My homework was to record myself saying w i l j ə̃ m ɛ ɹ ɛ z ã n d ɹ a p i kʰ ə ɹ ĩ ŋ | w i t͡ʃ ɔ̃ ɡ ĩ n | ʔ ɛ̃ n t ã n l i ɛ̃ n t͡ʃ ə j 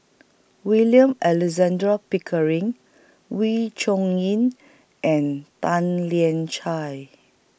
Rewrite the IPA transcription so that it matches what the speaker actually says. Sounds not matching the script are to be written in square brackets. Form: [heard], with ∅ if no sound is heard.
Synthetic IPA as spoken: w i l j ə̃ m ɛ [l] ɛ z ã n d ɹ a p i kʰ ə ɹ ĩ ŋ | w i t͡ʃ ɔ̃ [ŋ] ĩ n | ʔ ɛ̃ n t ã n l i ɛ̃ n t͡ʃ [a] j